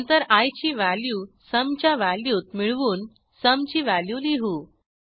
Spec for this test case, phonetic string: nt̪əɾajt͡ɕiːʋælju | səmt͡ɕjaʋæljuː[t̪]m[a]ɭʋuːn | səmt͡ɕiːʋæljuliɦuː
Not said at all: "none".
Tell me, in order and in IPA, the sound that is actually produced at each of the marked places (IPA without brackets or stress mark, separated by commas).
t̪, i